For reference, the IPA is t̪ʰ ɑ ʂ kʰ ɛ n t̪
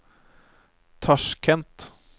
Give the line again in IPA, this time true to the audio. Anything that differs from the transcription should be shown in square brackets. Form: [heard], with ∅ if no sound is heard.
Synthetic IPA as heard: t̪ʰ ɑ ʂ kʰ ɛ n t̪